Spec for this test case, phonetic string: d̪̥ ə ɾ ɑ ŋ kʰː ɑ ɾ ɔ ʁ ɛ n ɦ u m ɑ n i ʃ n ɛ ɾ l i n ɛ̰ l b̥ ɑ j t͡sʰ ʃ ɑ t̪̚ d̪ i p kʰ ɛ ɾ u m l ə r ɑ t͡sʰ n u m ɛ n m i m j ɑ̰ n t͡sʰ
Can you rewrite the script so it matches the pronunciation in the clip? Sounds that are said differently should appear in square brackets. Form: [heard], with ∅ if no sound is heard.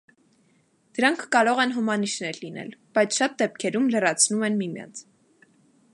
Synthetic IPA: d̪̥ ə ɾ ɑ ŋ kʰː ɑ ɾ ɔ ʁ ɛ n ɦ u m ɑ n i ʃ n ɛ ɾ l i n ɛ̰ l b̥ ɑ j t͡sʰ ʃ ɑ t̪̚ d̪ [ɛ] p kʰ ɛ ɾ u m l ə r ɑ t͡sʰ n u m ɛ n m i m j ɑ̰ n t͡sʰ